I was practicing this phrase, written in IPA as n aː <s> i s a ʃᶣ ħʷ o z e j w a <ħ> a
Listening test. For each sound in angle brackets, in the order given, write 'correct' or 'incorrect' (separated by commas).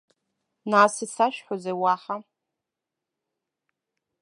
correct, correct